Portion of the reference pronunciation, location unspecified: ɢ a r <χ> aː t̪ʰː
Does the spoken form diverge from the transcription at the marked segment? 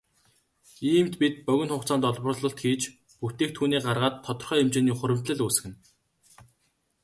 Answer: yes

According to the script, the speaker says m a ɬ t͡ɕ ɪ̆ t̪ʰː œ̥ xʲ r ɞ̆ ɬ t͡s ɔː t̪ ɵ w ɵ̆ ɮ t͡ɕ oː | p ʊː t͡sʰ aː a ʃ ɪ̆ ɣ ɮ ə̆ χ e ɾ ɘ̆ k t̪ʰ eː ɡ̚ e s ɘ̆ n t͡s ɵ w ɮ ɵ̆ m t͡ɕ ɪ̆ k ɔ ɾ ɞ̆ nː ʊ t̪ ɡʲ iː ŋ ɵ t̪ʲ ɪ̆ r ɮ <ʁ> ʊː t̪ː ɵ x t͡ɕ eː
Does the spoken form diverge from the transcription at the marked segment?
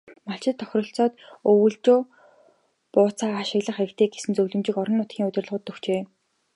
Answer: no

